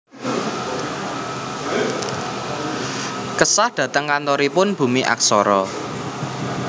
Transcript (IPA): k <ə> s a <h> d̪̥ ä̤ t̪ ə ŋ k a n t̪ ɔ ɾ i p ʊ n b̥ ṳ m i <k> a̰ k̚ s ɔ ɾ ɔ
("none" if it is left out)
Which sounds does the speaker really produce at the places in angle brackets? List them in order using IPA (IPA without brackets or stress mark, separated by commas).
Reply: ə, h, ʔ